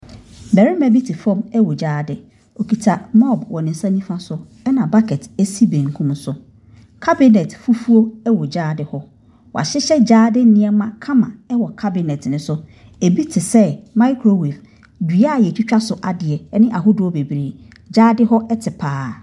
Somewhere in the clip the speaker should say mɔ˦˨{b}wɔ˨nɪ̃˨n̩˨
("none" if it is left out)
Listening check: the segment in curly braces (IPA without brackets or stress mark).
b